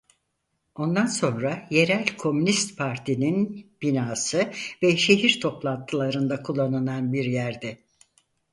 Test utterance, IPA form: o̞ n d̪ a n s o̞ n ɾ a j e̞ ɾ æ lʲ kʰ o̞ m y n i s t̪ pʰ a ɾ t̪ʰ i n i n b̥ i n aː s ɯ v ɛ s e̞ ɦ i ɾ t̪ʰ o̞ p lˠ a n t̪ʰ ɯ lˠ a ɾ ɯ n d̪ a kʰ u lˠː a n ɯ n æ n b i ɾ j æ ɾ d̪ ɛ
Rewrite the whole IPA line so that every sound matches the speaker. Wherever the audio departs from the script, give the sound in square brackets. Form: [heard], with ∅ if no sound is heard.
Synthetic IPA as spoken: o̞ n d̪ a n s o̞ n ɾ a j e̞ ɾ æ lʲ kʰ o̞ m y n i s t̪ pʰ a ɾ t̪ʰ i n i n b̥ i n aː s ɯ v ɛ [ʃ] e̞ ɦ i ɾ t̪ʰ o̞ p lˠ a n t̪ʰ ɯ lˠ a ɾ ɯ n d̪ a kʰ u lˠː a n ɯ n [a] n b i ɾ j æ ɾ d̪ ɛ

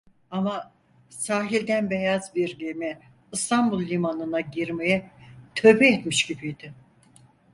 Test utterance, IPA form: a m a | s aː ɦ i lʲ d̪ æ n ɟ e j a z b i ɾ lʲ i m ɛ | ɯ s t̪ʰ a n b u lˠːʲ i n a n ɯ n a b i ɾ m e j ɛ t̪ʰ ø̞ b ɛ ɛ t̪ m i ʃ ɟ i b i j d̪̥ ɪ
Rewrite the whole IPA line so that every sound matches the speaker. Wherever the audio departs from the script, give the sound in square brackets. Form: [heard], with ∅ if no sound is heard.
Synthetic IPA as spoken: a m a | s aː ɦ i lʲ d̪ æ n [b] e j a z b i ɾ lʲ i m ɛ | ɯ s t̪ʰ a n b u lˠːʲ i [m] a n ɯ n a [ɟ] i ɾ m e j ɛ t̪ʰ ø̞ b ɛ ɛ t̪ m i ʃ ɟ i b i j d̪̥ ɪ

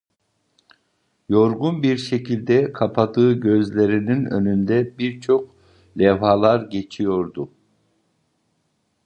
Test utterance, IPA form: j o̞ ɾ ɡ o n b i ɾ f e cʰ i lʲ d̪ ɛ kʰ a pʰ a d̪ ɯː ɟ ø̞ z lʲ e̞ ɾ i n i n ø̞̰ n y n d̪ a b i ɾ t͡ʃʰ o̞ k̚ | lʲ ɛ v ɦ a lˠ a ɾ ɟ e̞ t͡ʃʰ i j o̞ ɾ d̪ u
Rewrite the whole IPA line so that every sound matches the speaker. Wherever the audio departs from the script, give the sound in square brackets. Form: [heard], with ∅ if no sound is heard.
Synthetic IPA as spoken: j o̞ ɾ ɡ [u] n b i ɾ [ʃ] e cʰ i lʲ d̪ ɛ kʰ a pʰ a d̪ ɯː ɟ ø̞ z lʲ e̞ ɾ i n i n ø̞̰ n y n d̪ [ɛ] b i ɾ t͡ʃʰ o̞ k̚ | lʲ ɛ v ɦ a lˠ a ɾ ɟ e̞ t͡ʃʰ i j o̞ ɾ d̪ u

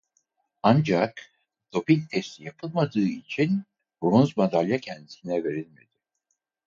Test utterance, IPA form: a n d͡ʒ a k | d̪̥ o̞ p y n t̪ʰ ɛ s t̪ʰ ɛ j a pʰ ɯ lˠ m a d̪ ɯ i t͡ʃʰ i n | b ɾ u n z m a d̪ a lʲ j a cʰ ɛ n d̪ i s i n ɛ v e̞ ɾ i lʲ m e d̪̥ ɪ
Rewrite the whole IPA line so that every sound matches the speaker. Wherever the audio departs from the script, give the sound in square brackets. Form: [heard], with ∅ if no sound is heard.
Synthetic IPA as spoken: a n d͡ʒ a k | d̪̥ o̞ p [i] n t̪ʰ ɛ s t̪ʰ [i] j a pʰ ɯ lˠ m a d̪ [ɯː] i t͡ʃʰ i n | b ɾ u n z m a d̪ a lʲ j a cʰ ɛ n d̪ i s i n ɛ v e̞ ɾ i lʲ m e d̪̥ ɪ

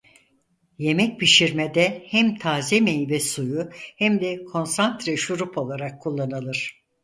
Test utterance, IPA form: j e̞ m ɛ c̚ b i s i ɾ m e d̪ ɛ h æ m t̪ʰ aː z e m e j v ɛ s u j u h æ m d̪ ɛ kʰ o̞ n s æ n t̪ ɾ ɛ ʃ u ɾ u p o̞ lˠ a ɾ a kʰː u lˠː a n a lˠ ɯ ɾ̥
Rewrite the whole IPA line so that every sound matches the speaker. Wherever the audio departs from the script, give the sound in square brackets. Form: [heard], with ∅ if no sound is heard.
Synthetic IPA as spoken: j e̞ m ɛ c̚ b i [ʃ] i ɾ m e d̪ ɛ h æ m t̪ʰ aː z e m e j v ɛ s u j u h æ m d̪ ɛ kʰ o̞ n s [a] n t̪ ɾ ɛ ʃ u ɾ u p o̞ lˠ a ɾ a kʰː u lˠː a n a lˠ ɯ ɾ̥

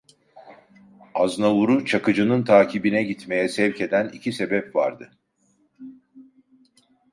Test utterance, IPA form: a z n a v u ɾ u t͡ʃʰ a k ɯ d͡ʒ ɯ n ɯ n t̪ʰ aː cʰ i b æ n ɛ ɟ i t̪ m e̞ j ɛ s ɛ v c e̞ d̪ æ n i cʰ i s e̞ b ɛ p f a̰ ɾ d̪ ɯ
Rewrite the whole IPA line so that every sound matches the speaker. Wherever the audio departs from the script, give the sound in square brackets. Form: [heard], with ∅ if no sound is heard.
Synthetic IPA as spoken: a z n a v u ɾ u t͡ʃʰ a k ɯ d͡ʒ ɯ n ɯ n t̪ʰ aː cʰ i b [i] n ɛ ɟ i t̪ m e̞ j ɛ s ɛ v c e̞ d̪ æ n i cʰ i s e̞ b ɛ p [v] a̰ ɾ d̪ ɯ

